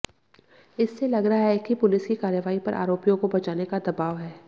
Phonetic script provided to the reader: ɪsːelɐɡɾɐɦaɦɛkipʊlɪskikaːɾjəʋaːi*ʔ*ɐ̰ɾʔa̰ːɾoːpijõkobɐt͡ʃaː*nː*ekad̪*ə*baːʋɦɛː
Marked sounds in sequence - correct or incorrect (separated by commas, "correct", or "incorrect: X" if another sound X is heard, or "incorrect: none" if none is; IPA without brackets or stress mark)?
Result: incorrect: p, incorrect: n, incorrect: ɐ